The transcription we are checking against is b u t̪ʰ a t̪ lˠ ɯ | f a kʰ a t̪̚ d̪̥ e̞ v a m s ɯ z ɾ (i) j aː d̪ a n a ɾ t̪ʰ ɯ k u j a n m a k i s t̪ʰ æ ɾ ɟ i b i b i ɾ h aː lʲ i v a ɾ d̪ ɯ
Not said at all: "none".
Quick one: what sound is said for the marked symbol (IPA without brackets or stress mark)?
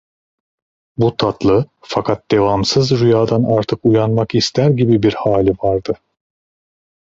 y